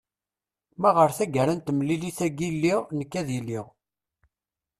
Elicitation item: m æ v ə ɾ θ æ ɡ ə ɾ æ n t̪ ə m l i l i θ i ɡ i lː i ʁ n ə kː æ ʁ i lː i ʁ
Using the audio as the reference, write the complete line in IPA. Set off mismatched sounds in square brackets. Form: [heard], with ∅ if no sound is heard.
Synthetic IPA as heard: m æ [ʁ] ə ɾ θ æ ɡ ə ɾ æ n t̪ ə m l i l i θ [æ] ɡ i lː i ʁ n ə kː æ [ð] i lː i ʁ